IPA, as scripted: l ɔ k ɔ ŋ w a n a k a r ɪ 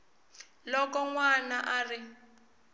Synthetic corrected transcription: l ɔ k ɔ ŋ w a n a ʔ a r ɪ